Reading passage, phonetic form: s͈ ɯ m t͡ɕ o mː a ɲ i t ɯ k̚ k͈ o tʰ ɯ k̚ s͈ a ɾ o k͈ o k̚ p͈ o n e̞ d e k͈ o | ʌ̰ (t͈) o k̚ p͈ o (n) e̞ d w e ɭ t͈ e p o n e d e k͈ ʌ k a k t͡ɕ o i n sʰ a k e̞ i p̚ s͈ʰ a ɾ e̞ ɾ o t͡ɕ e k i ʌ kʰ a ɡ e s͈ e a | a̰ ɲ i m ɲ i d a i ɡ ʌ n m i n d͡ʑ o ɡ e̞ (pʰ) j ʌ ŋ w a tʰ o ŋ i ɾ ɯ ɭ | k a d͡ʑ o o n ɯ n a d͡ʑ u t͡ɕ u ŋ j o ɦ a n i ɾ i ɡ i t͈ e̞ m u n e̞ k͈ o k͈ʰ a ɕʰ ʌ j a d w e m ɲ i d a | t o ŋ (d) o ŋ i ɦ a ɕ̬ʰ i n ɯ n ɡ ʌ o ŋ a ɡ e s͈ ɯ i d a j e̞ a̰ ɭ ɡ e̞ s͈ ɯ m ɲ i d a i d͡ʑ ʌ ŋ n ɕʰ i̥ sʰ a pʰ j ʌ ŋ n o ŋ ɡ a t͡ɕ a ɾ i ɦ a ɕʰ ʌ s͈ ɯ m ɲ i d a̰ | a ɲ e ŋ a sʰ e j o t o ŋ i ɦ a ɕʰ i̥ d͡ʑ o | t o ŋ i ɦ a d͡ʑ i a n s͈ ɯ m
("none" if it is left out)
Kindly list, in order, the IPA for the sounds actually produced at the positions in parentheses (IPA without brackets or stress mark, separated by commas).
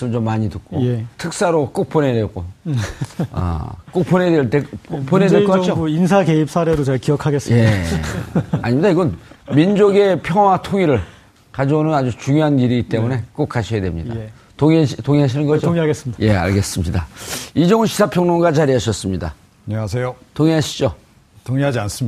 k͈, n, pʰ, t